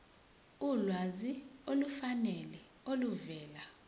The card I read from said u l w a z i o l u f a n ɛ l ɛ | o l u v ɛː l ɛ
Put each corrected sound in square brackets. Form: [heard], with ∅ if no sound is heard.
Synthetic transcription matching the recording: u l w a z i o l u f a n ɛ l ɛ | o l u v ɛː l [a]